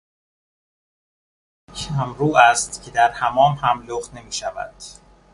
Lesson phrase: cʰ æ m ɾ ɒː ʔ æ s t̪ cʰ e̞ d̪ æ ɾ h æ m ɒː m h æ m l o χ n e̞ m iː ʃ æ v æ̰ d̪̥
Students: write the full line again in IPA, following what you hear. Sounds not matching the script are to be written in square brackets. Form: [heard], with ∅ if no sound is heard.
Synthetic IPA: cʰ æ m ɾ [uː] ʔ æ s t̪ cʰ e̞ d̪ æ ɾ h æ m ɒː m h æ m l o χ n e̞ m iː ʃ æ v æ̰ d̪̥